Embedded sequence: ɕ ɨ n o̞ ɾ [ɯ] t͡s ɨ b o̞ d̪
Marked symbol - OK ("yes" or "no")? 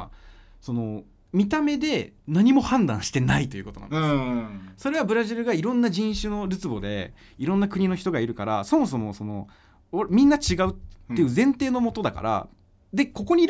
yes